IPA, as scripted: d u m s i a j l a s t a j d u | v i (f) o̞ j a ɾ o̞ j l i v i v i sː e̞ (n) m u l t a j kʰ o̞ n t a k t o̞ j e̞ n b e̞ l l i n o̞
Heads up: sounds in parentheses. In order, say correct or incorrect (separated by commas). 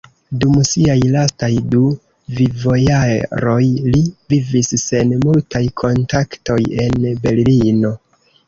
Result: incorrect, correct